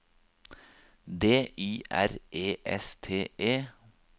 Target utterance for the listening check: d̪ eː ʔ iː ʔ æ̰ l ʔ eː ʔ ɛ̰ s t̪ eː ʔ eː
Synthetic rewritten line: d̪ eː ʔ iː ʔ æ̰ ɾ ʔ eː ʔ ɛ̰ s t̪ʰ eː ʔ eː